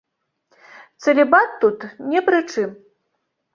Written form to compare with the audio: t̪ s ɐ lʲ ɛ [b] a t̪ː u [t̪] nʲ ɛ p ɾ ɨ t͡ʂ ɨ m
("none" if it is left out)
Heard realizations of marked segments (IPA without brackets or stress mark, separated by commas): b, t̪